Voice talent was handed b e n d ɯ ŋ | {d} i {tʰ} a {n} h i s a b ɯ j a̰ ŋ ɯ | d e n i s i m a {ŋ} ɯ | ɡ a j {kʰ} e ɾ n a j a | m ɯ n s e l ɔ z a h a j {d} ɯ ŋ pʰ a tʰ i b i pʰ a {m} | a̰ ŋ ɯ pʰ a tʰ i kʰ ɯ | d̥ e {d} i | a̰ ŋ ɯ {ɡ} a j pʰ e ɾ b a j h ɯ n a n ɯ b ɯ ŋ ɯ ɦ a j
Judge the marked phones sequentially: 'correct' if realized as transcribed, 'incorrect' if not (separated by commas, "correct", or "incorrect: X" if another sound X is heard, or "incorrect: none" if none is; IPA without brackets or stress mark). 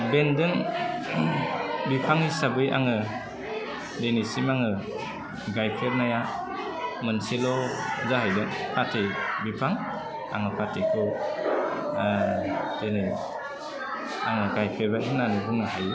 incorrect: b, incorrect: pʰ, incorrect: ŋ, correct, incorrect: pʰ, correct, incorrect: ŋ, incorrect: n, correct